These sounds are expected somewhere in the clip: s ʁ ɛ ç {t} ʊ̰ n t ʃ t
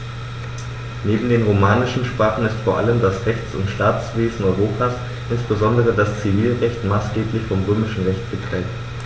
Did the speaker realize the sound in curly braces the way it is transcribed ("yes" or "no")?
no